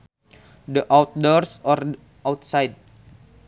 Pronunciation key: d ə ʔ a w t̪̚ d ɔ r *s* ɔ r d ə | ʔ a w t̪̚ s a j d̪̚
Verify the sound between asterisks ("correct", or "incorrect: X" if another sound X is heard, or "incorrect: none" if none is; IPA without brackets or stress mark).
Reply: correct